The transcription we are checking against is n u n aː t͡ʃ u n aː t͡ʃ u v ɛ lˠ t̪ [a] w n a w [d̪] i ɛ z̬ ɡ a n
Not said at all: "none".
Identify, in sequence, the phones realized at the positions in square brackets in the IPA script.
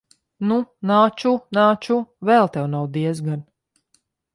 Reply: ɛ, d̪

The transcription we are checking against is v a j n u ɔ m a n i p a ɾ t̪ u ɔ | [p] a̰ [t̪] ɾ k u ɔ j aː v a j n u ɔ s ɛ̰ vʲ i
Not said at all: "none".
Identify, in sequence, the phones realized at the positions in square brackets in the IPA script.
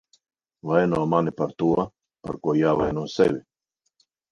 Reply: p, none

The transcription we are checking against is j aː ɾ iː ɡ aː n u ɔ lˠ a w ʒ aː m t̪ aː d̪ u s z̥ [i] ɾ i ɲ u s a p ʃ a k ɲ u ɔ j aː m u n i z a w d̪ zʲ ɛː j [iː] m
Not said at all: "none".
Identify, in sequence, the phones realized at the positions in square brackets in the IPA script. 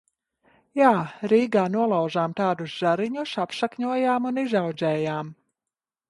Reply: a, aː

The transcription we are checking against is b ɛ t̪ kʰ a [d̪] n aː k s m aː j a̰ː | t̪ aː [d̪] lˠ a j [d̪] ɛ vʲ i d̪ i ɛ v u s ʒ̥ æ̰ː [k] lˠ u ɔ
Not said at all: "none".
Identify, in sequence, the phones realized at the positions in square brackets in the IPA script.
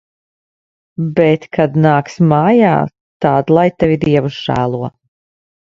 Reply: d̪, d̪, t̪, none

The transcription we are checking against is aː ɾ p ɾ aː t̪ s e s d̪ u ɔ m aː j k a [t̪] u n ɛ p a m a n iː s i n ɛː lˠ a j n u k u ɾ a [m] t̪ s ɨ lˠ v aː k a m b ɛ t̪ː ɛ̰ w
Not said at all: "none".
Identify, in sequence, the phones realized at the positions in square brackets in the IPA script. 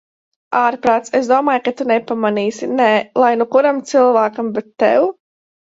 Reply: t̪, m

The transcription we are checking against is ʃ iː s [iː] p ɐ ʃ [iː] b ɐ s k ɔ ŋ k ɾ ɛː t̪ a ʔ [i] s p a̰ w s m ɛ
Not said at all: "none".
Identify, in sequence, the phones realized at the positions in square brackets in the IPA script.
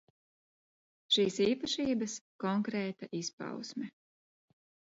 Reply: iː, iː, i

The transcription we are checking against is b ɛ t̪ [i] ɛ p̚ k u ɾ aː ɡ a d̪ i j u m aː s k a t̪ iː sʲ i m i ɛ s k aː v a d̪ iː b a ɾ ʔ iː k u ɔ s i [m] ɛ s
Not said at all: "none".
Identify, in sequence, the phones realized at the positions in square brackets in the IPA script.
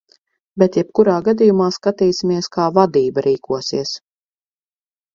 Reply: j, none

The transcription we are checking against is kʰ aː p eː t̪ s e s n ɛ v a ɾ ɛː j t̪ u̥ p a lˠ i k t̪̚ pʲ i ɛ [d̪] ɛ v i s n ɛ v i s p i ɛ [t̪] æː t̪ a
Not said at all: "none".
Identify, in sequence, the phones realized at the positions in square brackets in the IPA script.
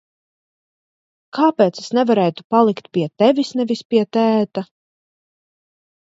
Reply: t̪, t̪

